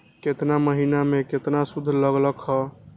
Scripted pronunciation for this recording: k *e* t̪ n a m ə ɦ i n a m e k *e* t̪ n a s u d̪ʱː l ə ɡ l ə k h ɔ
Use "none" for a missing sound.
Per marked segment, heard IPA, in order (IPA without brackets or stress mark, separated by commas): e, e